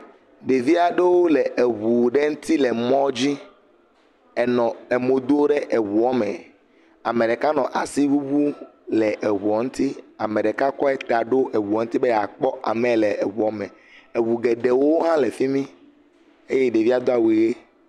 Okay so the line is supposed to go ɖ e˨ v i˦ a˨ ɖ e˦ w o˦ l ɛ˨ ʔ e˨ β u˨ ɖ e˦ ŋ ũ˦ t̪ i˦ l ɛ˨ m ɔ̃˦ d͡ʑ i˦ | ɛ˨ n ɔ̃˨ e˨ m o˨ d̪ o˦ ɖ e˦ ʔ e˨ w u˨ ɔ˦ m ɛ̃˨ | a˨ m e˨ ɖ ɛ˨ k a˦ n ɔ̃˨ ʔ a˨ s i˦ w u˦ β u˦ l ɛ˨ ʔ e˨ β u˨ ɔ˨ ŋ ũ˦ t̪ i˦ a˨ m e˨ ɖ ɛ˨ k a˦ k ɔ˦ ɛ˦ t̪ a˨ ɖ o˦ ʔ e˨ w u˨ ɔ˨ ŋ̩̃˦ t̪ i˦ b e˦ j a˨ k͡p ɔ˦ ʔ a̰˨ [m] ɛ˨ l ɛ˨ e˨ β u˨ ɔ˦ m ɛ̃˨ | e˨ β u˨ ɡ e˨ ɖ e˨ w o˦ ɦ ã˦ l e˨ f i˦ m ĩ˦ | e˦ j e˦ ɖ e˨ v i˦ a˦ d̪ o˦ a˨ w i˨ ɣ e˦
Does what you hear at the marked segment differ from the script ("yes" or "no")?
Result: no